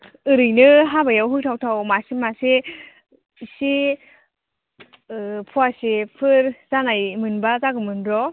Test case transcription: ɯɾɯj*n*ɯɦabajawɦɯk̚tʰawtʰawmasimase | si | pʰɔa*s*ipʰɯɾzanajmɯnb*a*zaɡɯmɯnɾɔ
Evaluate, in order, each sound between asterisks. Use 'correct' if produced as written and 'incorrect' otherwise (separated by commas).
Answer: correct, correct, correct